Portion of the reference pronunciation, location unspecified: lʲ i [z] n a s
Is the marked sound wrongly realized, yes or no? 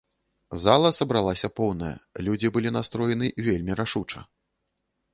yes